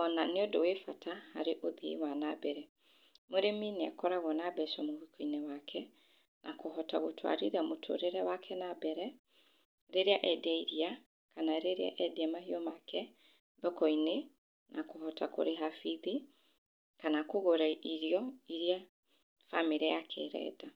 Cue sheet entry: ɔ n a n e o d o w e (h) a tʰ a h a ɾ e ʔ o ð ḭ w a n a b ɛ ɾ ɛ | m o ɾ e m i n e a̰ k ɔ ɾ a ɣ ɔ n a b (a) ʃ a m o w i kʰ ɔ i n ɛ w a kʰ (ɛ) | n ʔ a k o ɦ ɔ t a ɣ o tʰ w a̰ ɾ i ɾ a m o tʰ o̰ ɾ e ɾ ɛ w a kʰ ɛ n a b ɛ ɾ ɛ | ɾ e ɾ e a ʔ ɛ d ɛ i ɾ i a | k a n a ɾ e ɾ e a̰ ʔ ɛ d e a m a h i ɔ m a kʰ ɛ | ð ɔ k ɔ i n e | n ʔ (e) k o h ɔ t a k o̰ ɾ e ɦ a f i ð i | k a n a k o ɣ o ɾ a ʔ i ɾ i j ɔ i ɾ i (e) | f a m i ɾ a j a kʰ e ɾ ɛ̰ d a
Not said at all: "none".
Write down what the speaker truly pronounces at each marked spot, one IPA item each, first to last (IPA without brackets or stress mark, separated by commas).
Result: f, ɛ, ɛ, a, a